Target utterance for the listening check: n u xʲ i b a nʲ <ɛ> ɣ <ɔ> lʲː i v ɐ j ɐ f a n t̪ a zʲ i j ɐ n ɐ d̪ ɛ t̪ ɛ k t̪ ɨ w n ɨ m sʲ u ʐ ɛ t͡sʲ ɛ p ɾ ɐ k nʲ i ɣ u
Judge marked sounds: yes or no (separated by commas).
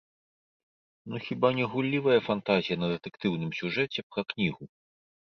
yes, no